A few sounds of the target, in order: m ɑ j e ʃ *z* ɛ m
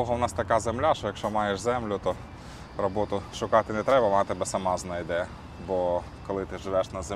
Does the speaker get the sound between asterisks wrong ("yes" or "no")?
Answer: no